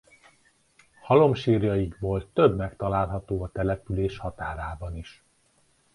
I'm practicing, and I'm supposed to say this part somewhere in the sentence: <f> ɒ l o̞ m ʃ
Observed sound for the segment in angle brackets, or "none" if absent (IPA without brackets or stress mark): h